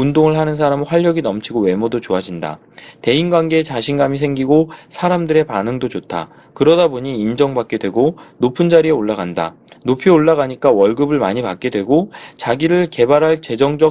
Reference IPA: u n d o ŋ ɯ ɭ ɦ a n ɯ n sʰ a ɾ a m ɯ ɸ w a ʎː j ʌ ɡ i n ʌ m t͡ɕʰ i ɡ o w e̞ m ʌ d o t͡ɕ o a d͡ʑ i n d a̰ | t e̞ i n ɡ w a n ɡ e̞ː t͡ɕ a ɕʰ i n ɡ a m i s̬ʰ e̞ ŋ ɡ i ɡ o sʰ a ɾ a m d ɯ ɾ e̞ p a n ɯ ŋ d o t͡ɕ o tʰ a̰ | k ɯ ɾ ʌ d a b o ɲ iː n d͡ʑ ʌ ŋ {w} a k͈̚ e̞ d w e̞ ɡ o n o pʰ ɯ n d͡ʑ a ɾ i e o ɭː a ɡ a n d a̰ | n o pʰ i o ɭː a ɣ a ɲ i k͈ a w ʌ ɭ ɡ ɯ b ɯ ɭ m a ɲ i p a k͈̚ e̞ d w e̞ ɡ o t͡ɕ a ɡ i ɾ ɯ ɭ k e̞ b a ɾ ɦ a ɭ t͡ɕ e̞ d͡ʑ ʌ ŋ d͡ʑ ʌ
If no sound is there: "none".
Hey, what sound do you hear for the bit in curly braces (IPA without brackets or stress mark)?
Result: b